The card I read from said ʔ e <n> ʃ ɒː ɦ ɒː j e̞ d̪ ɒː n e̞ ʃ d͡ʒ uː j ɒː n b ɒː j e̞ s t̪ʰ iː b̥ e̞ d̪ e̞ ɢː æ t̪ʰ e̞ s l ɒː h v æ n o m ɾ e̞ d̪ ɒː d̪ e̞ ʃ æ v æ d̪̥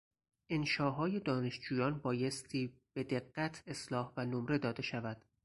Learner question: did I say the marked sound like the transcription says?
yes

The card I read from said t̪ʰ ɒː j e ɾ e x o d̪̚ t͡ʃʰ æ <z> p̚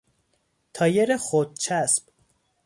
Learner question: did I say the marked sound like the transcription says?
no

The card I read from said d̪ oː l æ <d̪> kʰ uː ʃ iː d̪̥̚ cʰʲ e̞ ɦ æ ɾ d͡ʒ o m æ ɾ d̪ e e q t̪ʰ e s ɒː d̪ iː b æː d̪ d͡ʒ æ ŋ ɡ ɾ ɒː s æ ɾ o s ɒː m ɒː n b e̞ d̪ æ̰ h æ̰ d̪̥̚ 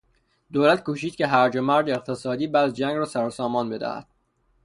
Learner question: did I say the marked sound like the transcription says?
no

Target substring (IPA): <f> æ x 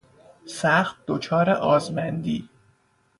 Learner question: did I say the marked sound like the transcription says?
no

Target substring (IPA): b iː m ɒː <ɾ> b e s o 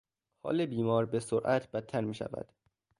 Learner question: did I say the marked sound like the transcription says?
yes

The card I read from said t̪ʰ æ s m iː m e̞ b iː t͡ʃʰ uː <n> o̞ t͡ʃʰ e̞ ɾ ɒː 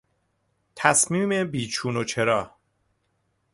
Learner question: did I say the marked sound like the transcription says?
yes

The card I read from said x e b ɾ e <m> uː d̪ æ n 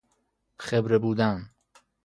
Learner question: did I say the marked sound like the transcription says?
no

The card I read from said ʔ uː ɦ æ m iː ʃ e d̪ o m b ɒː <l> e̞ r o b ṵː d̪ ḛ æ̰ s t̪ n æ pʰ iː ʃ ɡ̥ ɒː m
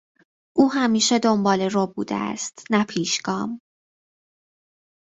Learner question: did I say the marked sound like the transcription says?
yes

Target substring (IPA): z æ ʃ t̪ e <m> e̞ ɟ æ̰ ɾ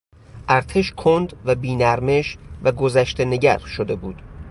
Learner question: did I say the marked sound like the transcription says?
no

